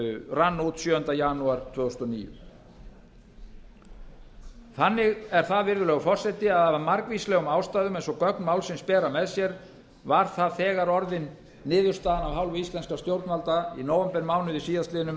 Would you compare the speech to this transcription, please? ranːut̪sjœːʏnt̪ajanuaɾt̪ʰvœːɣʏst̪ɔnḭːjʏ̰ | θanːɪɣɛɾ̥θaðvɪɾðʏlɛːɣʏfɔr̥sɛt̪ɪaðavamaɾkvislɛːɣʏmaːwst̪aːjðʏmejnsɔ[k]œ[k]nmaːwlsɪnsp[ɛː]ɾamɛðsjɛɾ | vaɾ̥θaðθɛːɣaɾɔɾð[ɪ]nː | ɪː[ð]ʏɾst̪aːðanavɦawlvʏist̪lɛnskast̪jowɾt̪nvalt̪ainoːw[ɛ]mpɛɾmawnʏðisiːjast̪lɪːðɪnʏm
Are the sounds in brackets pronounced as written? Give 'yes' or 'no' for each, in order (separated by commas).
yes, yes, yes, yes, yes, yes